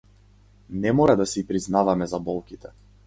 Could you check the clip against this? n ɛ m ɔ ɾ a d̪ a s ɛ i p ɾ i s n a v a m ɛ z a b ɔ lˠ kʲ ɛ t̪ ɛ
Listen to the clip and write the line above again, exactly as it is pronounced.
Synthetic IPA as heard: n ɛ m ɔ ɾ a d̪ a s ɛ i p ɾ i z n a v a m ɛ z a b ɔ lˠ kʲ i t̪ ɛ